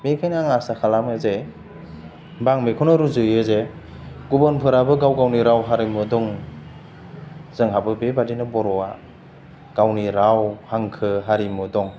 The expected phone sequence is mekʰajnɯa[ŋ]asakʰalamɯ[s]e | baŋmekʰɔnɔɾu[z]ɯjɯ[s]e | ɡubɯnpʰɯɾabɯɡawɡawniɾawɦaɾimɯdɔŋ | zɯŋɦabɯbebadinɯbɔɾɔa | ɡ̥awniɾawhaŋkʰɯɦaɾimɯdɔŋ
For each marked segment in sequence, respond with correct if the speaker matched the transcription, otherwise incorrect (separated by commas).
correct, incorrect, correct, incorrect